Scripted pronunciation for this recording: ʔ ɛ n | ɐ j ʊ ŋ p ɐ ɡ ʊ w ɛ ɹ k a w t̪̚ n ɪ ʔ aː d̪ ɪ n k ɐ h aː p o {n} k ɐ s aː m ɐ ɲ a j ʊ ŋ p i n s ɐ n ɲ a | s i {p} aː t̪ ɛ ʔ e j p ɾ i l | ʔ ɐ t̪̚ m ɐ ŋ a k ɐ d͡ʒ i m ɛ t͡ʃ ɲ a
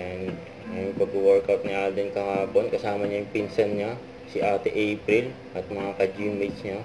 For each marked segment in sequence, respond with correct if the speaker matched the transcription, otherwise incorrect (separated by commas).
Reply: correct, incorrect